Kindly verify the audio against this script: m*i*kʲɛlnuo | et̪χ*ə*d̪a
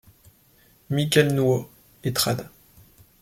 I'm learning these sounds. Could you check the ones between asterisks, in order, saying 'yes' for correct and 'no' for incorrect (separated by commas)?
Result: yes, no